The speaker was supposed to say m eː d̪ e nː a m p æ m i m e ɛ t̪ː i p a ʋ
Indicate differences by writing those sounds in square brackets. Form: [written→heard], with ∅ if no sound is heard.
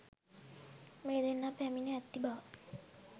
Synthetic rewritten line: m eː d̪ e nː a [m→∅] p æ m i [m→n] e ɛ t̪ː i [p→b] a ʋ